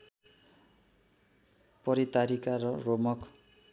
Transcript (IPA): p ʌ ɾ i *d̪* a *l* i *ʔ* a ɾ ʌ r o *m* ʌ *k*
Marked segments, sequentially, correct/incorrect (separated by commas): incorrect, incorrect, incorrect, correct, correct